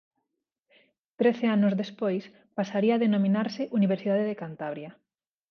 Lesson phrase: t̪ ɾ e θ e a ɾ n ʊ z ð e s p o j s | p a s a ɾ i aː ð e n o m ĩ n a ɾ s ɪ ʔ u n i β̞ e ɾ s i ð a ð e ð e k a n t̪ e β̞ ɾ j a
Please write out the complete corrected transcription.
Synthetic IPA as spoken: t̪ ɾ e θ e a n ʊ z ð e s p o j s | p a s a ɾ i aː ð e n o m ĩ n a ɾ s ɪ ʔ u n i β̞ e ɾ s i ð a ð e ð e k a n t̪ a β̞ ɾ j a